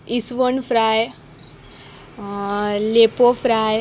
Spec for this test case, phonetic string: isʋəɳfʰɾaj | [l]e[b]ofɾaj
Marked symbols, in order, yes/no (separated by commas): yes, no